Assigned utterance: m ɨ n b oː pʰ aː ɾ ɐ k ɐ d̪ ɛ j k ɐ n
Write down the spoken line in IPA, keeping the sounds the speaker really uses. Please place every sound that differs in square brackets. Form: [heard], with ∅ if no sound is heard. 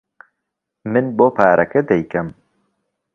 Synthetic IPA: m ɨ n b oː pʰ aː ɾ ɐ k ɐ d̪ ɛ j k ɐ [m]